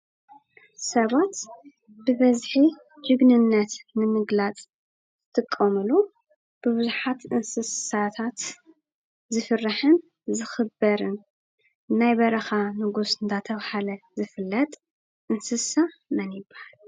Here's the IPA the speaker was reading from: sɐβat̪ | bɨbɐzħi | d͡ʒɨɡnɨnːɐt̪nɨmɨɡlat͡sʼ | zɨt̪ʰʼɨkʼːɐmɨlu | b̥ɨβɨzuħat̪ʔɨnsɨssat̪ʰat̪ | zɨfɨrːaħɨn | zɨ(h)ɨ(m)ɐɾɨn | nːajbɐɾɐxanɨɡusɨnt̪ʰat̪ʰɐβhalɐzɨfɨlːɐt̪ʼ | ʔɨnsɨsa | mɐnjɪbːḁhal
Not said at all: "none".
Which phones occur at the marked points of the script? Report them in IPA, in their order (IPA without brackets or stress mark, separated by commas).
x, b